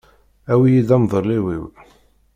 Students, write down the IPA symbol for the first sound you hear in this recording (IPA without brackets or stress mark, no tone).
æ